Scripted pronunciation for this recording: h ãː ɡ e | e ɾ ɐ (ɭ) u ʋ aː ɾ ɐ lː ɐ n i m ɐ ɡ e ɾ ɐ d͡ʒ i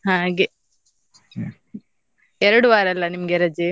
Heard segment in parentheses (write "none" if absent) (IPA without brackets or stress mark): ɽ